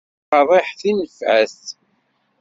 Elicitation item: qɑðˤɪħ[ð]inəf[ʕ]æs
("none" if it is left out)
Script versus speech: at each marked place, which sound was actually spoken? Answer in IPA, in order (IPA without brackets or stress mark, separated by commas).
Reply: θ, ʕ